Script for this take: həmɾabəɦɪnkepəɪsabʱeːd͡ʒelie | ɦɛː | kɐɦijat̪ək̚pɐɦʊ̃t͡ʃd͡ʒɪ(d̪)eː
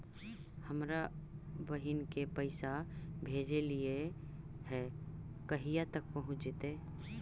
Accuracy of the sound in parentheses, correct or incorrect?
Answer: incorrect: t̪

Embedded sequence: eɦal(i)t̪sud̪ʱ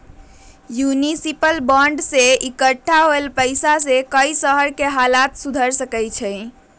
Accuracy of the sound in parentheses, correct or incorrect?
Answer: incorrect: a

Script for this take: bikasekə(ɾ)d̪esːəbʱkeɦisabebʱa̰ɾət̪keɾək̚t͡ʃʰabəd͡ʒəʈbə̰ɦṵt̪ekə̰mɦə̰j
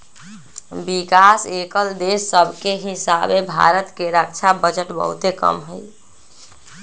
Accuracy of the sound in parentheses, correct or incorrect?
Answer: incorrect: l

